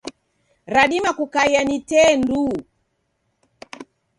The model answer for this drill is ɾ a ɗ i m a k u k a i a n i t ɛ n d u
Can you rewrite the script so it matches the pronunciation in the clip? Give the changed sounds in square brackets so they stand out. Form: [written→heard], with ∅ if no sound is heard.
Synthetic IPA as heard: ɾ a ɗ i m a k u k a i a n i t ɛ n d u

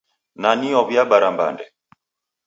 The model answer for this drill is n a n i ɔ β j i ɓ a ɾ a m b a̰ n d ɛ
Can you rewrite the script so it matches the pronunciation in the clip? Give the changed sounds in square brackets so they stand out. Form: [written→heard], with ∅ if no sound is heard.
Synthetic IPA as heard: n a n i ɔ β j [i→a] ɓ a ɾ a m b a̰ n d ɛ

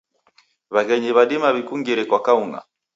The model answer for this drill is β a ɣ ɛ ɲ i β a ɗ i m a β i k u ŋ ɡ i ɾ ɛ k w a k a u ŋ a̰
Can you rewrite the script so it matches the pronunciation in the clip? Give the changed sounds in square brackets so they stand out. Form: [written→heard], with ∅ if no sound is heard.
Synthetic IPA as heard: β a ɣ ɛ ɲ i β a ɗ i m a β i k u ŋ ɡ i ɾ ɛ k w a k a u ŋ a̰

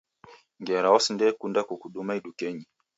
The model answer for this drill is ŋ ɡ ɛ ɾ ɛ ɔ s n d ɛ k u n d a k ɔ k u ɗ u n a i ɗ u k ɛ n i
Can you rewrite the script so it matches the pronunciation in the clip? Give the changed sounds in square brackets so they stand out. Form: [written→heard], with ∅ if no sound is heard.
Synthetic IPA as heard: ŋ ɡ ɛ ɾ [ɛ→a] ɔ s n d ɛ k u n d a k [ɔ→u] k u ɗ u [n→m] a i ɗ u k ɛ [n→ɲ] i

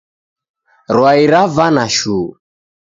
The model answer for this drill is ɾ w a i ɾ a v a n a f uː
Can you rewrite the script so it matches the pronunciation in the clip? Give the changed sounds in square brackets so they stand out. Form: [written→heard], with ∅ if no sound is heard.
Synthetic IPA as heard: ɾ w a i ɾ a v a n a [f→ʃ] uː

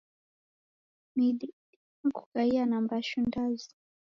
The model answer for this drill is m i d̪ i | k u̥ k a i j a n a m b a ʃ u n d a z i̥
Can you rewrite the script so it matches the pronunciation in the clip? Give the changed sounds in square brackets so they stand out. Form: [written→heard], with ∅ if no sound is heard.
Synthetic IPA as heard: m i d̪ i | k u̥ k a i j a n a m b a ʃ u n d a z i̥

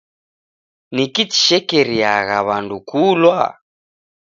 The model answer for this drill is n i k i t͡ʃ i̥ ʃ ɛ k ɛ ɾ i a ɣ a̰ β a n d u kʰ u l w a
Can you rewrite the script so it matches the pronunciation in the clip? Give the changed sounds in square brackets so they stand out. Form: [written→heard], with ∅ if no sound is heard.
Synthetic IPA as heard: n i k i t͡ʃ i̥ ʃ ɛ k ɛ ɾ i a ɣ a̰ β a n d u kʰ u l w a

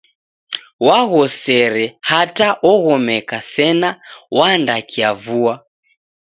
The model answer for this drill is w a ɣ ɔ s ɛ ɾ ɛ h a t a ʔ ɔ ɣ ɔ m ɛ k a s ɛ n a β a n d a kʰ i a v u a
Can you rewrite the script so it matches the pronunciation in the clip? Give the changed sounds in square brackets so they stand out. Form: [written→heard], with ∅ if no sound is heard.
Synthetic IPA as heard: w a ɣ ɔ s ɛ ɾ ɛ h a t a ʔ ɔ ɣ ɔ m ɛ k a s ɛ n a [β→w] a n d a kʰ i a v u a

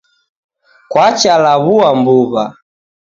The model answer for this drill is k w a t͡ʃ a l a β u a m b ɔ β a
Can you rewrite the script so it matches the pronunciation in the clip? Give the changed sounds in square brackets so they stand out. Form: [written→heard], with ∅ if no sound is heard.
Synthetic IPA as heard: k w a t͡ʃ a l a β u a m b [ɔ→u] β a

